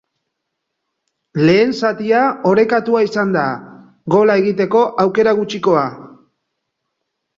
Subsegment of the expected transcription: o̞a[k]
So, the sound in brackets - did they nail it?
no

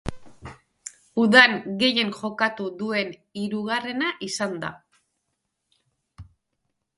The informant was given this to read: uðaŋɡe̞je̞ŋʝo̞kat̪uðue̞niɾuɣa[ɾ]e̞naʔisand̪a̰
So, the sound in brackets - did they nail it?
no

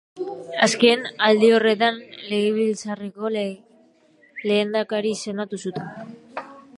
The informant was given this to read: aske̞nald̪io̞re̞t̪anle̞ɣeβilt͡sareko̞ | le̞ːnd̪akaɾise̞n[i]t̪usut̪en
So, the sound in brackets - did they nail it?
no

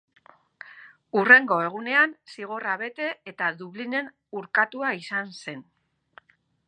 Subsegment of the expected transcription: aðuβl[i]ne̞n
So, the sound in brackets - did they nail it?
yes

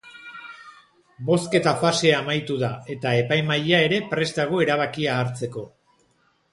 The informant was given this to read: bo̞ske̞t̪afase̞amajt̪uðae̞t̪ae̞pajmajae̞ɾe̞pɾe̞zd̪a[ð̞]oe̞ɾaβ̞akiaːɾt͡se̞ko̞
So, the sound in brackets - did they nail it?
no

